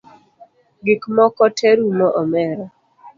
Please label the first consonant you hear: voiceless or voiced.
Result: voiced